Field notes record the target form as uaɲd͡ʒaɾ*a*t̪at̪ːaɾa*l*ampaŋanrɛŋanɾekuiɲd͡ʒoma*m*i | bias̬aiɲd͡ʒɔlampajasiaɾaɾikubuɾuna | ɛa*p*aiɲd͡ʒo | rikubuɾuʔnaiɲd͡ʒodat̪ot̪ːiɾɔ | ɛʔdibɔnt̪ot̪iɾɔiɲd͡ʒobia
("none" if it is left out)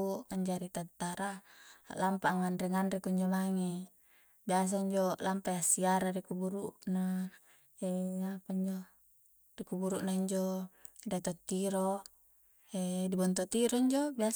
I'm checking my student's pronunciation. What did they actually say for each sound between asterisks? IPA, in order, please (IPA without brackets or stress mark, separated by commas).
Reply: i, l, ŋ, p